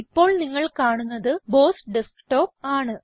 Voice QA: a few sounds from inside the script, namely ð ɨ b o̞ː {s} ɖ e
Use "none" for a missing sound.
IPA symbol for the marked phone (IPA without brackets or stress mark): s